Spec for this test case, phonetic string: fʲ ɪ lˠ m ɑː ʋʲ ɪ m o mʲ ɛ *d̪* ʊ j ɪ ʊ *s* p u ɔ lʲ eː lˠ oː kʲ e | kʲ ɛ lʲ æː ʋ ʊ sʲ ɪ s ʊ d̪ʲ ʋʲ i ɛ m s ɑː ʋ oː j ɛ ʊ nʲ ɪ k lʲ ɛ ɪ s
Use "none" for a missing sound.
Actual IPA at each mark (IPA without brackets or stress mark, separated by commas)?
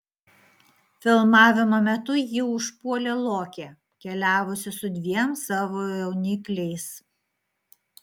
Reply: t̪, ʃ